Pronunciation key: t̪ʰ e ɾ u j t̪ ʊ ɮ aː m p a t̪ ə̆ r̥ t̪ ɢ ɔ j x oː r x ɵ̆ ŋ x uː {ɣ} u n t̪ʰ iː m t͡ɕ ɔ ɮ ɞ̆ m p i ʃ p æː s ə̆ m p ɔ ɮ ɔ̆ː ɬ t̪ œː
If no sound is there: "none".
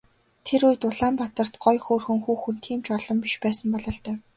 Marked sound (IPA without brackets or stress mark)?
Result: x